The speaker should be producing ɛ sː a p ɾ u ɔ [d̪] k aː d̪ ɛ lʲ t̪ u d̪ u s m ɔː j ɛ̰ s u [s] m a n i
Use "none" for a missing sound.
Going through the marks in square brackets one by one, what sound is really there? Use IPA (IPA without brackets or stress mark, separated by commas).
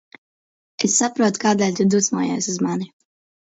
t̪, z